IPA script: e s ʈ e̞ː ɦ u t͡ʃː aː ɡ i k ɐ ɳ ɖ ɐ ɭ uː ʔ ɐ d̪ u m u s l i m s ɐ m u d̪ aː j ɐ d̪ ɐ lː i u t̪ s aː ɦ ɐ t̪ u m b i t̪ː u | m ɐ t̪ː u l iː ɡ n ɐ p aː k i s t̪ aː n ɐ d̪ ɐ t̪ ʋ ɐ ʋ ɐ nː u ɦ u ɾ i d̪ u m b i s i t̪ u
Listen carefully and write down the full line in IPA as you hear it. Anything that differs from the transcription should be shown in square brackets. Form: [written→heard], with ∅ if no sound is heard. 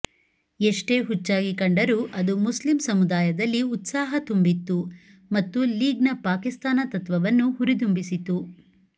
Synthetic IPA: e [s→ʂ] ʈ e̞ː ɦ u t͡ʃː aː ɡ i k ɐ ɳ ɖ ɐ [ɭ→ɾ] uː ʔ ɐ d̪ u m u s l i m s ɐ m u d̪ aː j ɐ d̪ ɐ lː i u t̪ s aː ɦ ɐ t̪ u m b i t̪ː u | m ɐ t̪ː u l iː ɡ n ɐ p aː k i s t̪ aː n ɐ [d̪→t̪] ɐ t̪ ʋ ɐ ʋ ɐ nː u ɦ u ɾ i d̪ u m b i s i t̪ u

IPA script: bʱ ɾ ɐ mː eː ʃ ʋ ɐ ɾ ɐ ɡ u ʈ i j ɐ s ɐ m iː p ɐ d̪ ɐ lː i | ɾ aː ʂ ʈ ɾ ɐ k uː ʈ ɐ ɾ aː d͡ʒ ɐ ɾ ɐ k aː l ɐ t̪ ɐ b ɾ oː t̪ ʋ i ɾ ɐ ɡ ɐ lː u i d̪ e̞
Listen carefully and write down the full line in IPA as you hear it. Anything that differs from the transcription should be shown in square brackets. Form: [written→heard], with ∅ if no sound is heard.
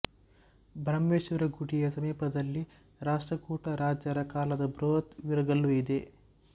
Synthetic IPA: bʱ ɾ ɐ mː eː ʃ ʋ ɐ ɾ ɐ ɡ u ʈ i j ɐ s ɐ m iː p ɐ d̪ ɐ lː i | ɾ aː ʂ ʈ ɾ ɐ k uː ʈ ɐ ɾ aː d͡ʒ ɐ ɾ ɐ k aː l ɐ [t̪→d̪] ɐ b ɾ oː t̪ ʋ i ɾ ɐ ɡ ɐ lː u i d̪ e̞

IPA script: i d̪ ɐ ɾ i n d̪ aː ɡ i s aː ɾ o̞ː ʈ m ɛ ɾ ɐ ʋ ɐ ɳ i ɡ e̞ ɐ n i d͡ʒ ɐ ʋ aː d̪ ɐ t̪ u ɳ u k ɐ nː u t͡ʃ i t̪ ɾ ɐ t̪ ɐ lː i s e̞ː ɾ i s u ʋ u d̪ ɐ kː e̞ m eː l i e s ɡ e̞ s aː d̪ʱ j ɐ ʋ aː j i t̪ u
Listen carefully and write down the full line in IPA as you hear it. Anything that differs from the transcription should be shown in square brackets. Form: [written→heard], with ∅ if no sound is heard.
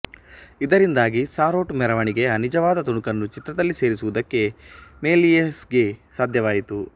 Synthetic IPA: i d̪ ɐ ɾ i n d̪ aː ɡ i s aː ɾ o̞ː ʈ m ɛ ɾ ɐ ʋ ɐ ɳ i ɡ e̞ ɐ n i d͡ʒ ɐ ʋ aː d̪ ɐ t̪ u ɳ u k ɐ nː u t͡ʃ i t̪ ɾ ɐ [t̪→d̪] ɐ lː i s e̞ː ɾ i s u ʋ u d̪ ɐ kː e̞ m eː l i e s ɡ e̞ s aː d̪ʱ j ɐ ʋ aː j i t̪ u

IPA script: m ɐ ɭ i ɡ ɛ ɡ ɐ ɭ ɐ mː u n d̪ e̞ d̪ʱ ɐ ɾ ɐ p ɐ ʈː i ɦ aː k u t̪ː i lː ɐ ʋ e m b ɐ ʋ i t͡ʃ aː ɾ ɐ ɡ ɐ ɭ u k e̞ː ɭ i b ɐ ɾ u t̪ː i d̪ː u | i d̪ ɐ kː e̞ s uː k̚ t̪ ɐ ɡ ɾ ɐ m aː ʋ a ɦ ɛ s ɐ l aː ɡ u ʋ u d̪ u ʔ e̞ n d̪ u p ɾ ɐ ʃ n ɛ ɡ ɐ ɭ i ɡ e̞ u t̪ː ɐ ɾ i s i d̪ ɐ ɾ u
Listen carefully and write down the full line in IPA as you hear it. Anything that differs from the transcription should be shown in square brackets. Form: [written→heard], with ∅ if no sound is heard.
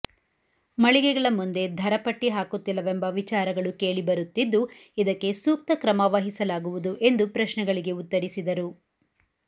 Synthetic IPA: m ɐ ɭ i ɡ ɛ ɡ ɐ ɭ ɐ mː u n d̪ e̞ d̪ʱ ɐ ɾ ɐ p ɐ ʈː i ɦ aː k u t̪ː i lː ɐ ʋ e m b ɐ ʋ i t͡ʃ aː ɾ ɐ ɡ ɐ ɭ u k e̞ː ɭ i b ɐ ɾ u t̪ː i d̪ː u | i d̪ ɐ kː e̞ s uː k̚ t̪ ɐ [ɡ→k] ɾ ɐ m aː ʋ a ɦ [ɛ→i] s ɐ l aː ɡ u ʋ u d̪ u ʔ e̞ n d̪ u p ɾ ɐ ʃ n ɛ ɡ ɐ ɭ i ɡ e̞ u t̪ː ɐ ɾ i s i d̪ ɐ ɾ u

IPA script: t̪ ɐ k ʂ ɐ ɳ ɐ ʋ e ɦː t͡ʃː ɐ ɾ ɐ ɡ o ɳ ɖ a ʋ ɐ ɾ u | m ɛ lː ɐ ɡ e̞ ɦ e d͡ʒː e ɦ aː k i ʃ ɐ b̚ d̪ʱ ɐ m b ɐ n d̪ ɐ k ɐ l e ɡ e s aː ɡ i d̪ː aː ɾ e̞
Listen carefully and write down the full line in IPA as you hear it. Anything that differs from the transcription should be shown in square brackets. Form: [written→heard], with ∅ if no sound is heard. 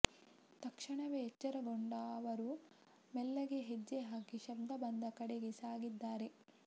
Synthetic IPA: t̪ ɐ k ʂ ɐ ɳ ɐ ʋ e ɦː t͡ʃː ɐ ɾ ɐ ɡ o ɳ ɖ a ʋ ɐ ɾ u | m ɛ lː ɐ ɡ e̞ ɦ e d͡ʒː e ɦ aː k i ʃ ɐ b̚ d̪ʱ ɐ [m→∅] b ɐ n d̪ ɐ k ɐ [l→ɽ] e ɡ e s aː ɡ i d̪ː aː ɾ e̞

